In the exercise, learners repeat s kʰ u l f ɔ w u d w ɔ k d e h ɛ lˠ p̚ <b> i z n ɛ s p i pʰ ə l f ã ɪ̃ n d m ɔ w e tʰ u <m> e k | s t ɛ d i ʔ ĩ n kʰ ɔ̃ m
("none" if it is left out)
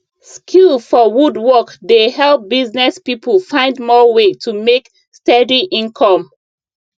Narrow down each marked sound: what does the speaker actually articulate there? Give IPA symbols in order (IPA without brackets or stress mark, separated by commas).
b, m